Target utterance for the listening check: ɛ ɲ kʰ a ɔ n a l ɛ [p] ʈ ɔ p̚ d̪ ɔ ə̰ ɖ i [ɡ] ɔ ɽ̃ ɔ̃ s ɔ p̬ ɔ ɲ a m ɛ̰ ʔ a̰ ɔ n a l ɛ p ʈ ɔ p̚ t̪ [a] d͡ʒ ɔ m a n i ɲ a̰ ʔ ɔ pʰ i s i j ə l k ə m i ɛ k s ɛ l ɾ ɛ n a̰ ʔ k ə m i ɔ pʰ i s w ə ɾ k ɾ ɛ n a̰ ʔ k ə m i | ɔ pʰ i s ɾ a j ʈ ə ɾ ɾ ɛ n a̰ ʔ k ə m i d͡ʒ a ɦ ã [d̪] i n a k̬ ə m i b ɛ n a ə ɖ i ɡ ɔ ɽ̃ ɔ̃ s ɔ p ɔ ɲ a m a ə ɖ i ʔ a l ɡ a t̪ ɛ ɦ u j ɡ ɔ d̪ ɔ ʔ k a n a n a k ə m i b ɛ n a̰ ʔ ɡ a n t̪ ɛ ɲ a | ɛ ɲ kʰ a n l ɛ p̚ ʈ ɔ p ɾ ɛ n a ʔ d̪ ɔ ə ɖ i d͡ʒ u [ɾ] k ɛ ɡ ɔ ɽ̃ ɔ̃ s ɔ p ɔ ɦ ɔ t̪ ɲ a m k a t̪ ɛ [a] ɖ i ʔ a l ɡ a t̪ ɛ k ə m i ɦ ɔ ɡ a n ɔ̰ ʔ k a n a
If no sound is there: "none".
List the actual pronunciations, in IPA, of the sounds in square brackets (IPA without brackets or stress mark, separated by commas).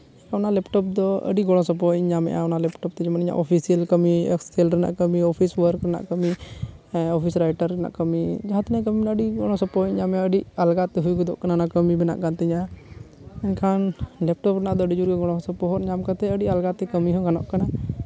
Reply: p, ɡ, ɛ, t̪, ɾ, ə